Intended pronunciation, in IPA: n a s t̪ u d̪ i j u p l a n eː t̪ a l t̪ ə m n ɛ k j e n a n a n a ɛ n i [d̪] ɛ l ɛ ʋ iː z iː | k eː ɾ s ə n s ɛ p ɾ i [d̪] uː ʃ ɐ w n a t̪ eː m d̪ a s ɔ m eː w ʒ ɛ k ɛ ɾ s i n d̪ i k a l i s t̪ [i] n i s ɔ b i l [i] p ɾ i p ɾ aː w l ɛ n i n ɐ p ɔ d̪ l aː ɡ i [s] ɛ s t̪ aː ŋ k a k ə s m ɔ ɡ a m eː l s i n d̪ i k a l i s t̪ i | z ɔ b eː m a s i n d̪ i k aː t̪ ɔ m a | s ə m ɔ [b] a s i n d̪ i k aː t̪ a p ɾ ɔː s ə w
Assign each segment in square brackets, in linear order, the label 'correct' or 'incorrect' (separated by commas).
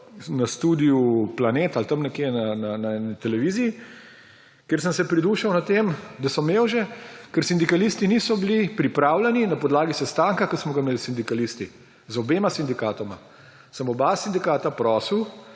incorrect, correct, correct, correct, correct, correct